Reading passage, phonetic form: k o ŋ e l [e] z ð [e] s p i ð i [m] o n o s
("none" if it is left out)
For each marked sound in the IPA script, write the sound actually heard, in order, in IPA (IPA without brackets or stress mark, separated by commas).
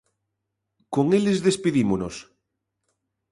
e, e, m